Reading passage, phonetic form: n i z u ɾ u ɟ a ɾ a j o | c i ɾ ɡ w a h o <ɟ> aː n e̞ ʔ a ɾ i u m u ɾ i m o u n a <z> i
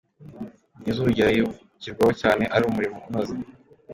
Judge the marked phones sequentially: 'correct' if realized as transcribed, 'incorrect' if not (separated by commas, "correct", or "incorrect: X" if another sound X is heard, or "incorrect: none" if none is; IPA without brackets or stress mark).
incorrect: c, correct